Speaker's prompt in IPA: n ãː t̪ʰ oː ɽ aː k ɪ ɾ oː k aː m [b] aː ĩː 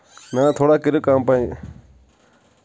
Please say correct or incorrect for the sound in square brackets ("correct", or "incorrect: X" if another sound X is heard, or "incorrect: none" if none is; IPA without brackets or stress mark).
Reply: incorrect: p